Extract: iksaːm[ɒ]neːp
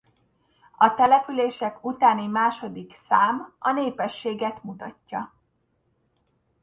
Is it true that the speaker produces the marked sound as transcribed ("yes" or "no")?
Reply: yes